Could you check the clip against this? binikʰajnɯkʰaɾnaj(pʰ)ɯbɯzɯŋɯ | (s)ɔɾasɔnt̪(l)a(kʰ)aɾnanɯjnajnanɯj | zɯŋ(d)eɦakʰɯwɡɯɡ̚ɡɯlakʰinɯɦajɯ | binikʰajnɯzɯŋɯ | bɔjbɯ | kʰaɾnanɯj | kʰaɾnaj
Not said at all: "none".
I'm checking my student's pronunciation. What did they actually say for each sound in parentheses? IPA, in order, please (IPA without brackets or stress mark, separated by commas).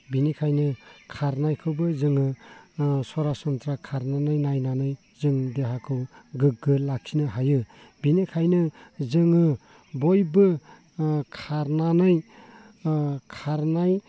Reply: kʰ, s, ɾ, kʰ, d